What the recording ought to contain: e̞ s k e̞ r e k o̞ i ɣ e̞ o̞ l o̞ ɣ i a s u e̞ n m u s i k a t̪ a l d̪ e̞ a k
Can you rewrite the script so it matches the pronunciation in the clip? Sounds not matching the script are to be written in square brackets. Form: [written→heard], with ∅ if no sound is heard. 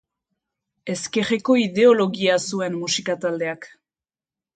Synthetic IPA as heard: e̞ s k e̞ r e k o̞ i [ɣ→ð] e̞ o̞ l o̞ ɣ i a s u e̞ n m u s i k a t̪ a l d̪ e̞ a k